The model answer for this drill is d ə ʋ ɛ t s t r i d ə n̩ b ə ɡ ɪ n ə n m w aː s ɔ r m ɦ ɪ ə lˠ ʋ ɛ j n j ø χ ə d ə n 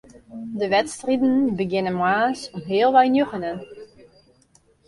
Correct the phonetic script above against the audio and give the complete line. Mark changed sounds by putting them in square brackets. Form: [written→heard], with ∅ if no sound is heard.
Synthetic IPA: d ə ʋ ɛ t s t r i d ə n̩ b ə ɡ ɪ n ə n m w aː s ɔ [r→∅] m ɦ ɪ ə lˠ ʋ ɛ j n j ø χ ə [d→n] ə n